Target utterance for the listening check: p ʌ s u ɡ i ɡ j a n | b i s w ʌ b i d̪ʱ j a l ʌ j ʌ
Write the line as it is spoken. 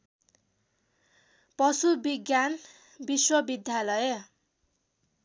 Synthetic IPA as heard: p ʌ s u b i ɡ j a n | b i s w ʌ b i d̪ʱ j a l ʌ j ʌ